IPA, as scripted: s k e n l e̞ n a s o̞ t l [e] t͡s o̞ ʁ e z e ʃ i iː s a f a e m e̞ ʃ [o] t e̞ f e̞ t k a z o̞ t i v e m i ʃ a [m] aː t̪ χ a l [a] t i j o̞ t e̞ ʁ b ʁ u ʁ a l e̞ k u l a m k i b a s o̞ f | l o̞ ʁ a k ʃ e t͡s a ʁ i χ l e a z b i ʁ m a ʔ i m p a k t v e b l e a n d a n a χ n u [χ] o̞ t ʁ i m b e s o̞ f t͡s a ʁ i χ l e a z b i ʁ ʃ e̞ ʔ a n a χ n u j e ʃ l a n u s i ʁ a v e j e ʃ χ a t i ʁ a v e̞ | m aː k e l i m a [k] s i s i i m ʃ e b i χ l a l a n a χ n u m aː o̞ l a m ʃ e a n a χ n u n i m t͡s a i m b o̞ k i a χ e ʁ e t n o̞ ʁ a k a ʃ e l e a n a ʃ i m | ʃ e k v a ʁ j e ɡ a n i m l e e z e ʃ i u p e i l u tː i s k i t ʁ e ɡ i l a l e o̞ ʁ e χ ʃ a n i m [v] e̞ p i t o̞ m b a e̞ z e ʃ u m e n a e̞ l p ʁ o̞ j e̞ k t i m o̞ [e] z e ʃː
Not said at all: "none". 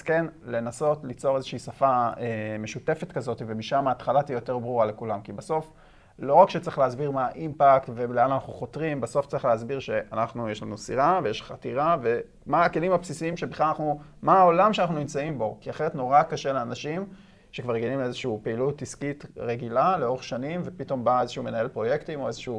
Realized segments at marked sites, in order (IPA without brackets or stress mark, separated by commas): i, u, m, a, χ, p, v, e